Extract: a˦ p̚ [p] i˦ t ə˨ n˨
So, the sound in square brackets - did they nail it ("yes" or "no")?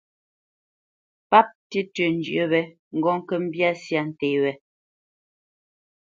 no